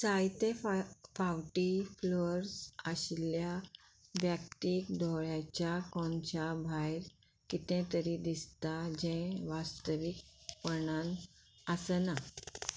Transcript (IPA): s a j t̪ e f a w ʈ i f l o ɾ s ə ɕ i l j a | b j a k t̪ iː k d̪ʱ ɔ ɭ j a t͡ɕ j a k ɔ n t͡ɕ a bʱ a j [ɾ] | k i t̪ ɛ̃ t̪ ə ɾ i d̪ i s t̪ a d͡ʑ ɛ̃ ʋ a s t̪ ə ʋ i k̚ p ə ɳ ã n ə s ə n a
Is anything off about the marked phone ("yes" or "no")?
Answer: no